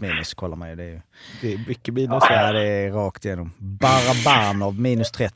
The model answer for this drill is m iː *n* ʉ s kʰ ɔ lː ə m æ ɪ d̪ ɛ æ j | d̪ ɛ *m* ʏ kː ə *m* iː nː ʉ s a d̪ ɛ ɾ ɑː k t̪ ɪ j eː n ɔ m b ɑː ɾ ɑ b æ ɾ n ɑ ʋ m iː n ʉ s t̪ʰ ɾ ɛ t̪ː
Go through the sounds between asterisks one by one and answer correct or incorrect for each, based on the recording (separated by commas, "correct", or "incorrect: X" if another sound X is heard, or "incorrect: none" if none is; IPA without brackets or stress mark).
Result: correct, correct, correct